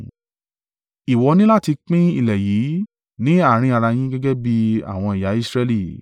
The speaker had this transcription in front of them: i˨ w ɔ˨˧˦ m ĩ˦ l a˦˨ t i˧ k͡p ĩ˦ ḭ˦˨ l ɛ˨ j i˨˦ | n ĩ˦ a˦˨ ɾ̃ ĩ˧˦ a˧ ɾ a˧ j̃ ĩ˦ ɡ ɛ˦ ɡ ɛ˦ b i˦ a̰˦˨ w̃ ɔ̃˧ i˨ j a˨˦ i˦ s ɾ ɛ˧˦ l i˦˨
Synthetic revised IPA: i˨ w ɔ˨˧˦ n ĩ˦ l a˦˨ t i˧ k͡p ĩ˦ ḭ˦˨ l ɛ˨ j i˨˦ | n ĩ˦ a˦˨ ɾ̃ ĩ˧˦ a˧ ɾ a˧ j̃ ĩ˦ ɡ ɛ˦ ɡ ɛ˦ b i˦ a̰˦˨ w̃ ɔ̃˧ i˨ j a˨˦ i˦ s ɾ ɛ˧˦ l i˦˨